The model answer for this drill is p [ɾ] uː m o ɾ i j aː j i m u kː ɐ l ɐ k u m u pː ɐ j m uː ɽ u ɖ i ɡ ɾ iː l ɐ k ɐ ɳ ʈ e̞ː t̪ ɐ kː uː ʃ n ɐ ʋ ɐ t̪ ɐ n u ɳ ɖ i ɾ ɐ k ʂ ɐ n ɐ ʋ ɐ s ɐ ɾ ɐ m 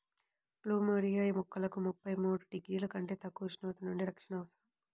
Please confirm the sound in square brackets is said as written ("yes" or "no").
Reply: no